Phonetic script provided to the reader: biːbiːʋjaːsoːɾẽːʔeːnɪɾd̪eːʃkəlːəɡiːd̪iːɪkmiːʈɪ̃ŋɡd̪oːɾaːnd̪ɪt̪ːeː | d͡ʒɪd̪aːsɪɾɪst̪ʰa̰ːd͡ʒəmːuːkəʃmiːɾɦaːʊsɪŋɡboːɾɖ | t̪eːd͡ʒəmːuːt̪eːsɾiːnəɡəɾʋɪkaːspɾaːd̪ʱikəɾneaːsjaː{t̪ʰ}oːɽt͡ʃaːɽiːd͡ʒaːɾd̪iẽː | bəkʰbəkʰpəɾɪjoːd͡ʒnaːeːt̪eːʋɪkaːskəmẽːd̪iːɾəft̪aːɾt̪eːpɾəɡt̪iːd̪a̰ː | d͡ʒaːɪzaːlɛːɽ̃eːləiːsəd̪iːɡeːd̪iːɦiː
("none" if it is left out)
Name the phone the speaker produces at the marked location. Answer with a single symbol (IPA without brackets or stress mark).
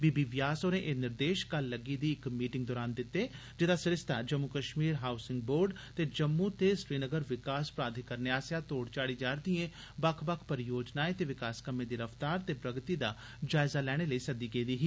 t̪